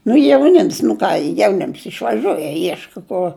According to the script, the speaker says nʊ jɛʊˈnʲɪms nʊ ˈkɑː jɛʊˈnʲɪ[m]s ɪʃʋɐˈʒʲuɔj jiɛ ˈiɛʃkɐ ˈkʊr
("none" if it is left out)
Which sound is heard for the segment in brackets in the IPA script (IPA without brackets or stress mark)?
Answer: m